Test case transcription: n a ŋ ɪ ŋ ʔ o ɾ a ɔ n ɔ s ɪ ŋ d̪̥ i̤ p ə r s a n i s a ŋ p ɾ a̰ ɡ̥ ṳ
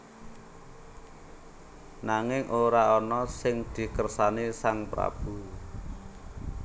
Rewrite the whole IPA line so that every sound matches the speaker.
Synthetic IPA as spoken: n a ŋ ɪ ŋ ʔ o ɾ a ɔ n ɔ s ɪ ŋ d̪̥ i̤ k ə r s a n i s a ŋ p ɾ a̰ b̥ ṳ